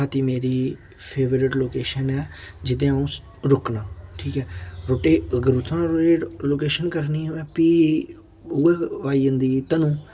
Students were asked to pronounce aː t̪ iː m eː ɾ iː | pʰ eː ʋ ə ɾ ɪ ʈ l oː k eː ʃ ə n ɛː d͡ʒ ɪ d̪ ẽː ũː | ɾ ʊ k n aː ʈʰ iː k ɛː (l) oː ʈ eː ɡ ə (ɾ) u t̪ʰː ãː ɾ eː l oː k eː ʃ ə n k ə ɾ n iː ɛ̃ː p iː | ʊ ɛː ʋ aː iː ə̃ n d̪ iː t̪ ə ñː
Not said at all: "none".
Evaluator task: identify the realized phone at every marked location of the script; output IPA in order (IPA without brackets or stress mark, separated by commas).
ɾ, ɾ